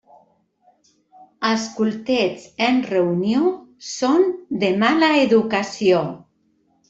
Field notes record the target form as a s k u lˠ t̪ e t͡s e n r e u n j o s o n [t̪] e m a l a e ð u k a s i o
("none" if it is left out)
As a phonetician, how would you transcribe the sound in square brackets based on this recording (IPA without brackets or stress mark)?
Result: d̪